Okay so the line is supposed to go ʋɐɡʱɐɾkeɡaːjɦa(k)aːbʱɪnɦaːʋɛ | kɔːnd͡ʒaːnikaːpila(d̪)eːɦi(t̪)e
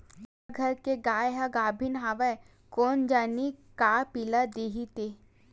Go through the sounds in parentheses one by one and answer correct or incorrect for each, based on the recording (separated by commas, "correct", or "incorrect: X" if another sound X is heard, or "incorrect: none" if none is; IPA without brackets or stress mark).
incorrect: ɡ, correct, correct